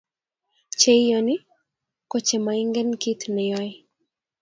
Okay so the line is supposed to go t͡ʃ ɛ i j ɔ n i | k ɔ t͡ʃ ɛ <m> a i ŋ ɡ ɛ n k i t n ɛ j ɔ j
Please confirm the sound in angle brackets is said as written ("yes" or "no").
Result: yes